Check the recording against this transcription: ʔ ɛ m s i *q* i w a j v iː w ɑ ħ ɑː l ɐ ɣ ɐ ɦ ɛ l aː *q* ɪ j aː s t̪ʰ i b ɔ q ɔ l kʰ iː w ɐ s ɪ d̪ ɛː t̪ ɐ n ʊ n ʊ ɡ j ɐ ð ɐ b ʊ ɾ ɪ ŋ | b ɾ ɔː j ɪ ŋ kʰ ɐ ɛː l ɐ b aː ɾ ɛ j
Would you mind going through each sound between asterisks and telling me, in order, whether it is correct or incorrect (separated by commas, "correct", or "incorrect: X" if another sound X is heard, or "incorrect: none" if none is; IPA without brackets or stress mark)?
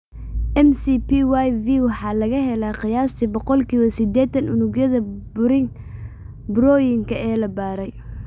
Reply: incorrect: p, correct